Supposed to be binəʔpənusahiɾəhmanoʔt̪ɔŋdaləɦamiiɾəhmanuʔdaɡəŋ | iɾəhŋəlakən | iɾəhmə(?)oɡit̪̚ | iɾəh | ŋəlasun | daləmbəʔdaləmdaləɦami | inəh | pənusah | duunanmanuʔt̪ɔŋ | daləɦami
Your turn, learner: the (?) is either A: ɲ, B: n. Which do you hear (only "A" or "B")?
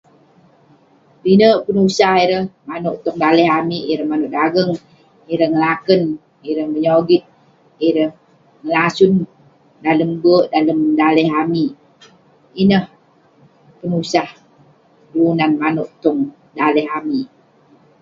A